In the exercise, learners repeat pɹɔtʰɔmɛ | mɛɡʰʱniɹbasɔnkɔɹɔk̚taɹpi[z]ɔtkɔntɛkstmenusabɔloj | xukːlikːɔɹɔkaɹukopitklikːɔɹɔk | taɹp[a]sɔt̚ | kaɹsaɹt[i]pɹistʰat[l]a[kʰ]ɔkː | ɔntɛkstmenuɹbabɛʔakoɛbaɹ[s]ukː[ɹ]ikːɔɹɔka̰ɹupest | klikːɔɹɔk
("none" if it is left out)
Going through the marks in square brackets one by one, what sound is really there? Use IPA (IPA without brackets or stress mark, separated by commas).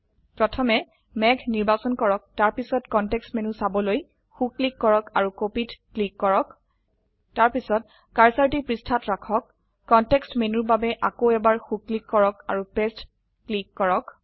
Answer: s, i, i, ɹ, kʰ, x, l